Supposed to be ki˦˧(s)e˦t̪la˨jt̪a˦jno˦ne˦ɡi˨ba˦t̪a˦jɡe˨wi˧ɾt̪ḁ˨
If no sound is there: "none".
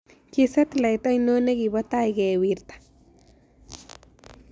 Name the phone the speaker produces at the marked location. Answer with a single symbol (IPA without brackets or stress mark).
s